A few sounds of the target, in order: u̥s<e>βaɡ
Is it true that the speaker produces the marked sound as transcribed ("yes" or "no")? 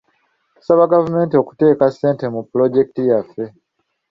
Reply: no